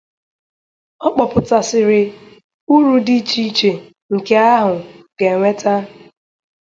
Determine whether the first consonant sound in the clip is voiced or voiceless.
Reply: voiceless